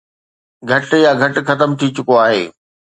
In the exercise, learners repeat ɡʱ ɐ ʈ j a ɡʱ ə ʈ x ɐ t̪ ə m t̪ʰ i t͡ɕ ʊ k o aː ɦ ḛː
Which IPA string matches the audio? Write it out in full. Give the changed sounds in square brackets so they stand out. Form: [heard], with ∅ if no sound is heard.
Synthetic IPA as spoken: ɡʱ ɐ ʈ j a ɡʱ [ɐ] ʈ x ɐ t̪ ə m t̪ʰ i t͡ɕ ʊ k o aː ɦ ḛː